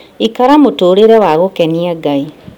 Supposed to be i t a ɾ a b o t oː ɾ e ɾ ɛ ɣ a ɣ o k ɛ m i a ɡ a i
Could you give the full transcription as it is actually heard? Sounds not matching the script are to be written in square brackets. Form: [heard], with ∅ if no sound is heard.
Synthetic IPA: i [k] a ɾ a [m] o t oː ɾ e ɾ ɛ [w] a ɣ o k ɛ [n] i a ɡ a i